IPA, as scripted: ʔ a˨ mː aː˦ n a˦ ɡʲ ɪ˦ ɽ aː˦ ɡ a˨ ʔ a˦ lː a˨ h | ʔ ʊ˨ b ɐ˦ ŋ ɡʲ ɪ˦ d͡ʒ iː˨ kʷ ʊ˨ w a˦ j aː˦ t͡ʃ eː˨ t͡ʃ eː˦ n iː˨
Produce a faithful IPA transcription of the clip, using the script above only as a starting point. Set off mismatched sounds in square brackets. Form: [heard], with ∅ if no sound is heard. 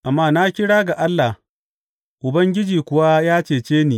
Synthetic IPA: ʔ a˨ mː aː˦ n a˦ [kʲ] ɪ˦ ɽ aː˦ ɡ a˨ ʔ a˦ lː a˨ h | ʔ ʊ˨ b ɐ˦ ŋ ɡʲ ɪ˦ d͡ʒ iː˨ kʷ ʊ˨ w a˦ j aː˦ t͡ʃ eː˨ t͡ʃ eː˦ n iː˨